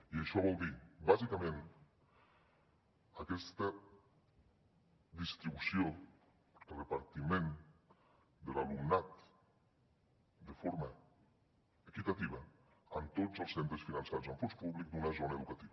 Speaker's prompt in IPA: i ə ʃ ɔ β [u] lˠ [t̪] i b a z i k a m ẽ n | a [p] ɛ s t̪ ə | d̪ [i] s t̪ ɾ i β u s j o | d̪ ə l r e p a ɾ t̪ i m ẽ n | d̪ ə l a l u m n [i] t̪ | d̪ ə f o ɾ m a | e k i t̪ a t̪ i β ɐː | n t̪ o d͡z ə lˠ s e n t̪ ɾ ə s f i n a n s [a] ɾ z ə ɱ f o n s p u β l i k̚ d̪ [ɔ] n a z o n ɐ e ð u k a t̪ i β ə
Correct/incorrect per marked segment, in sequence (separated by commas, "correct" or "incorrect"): incorrect, incorrect, incorrect, correct, incorrect, correct, incorrect